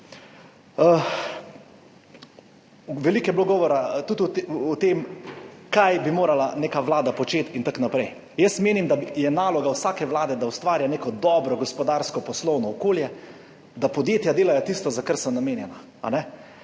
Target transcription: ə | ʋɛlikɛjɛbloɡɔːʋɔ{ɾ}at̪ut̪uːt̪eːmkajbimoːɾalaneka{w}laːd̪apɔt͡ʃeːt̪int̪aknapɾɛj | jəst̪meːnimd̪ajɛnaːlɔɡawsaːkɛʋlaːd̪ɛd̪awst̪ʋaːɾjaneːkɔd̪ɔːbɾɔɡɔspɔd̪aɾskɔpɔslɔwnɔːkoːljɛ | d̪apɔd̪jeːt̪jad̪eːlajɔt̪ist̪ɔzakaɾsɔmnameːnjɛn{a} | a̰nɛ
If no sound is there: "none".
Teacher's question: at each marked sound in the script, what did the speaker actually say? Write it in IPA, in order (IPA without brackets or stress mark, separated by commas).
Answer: ɾ, ʋ, a